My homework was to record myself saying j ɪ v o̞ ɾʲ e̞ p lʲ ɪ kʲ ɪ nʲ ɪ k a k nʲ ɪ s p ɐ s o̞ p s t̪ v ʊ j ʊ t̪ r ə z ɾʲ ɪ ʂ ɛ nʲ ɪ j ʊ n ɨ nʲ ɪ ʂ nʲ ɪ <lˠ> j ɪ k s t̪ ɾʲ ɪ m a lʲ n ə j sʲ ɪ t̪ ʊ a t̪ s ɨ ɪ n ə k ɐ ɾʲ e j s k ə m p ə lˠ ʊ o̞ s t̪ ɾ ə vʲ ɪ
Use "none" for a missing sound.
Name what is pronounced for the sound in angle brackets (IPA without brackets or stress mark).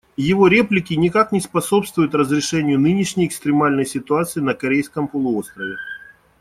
none